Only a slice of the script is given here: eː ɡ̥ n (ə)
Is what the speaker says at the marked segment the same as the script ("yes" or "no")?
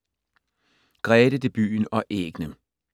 yes